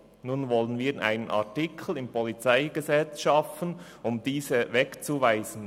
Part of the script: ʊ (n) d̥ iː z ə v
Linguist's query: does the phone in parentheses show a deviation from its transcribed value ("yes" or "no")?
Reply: yes